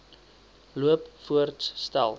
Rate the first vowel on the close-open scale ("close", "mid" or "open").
close